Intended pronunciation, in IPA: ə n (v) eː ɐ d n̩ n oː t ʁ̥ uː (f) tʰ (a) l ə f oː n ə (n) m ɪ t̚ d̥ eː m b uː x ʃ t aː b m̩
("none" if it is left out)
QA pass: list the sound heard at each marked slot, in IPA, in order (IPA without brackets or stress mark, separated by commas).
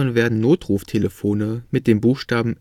v, f, e, none